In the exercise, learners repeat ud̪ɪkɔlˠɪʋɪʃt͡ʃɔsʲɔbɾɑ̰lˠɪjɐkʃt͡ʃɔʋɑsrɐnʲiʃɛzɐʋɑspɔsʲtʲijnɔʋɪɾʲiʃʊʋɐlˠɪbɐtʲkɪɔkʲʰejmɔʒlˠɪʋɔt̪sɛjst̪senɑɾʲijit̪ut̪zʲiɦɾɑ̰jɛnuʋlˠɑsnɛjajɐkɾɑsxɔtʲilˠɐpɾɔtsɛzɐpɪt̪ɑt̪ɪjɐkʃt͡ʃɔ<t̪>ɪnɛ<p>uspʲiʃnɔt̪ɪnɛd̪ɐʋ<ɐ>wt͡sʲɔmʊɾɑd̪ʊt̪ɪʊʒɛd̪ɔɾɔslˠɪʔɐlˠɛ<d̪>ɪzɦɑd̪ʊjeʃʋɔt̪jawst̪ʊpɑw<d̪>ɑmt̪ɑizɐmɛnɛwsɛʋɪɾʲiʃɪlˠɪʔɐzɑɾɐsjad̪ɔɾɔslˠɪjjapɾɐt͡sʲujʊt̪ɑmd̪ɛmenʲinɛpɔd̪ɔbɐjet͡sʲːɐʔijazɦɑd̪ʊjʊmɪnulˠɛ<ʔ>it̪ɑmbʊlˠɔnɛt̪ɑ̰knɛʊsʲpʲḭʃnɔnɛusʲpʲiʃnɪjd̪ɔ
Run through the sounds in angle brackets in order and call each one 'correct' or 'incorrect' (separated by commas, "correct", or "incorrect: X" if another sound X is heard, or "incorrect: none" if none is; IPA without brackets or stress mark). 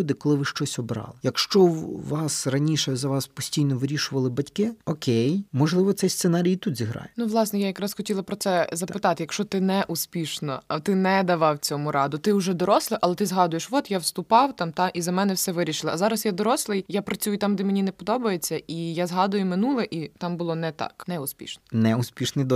correct, incorrect: ʔ, incorrect: ɑ, incorrect: t̪, incorrect: t̪, correct